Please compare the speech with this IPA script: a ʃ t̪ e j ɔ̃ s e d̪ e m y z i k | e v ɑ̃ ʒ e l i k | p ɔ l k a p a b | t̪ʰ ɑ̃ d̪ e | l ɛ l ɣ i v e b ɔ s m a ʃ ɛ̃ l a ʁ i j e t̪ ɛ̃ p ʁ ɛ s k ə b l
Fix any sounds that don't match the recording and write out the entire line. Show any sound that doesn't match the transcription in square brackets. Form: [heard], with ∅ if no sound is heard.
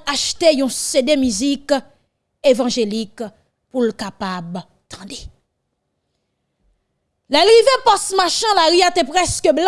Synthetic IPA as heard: a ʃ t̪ e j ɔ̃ s e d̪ e m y z i k | e v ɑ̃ ʒ e l i k | p [u] l k a p a b | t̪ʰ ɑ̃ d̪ e | l ɛ l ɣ i v e [p] ɔ s m a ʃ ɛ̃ l a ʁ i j [a] t̪ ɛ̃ p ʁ ɛ s k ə b l